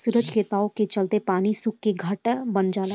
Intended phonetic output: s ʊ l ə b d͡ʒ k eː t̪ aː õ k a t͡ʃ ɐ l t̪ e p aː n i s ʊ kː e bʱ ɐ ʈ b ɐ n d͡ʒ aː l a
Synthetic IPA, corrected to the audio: s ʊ ɾ ə d͡ʒ k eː t̪ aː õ k e t͡ʃ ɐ l t̪ e p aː n i s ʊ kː e ɡʱ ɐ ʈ b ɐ n d͡ʒ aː l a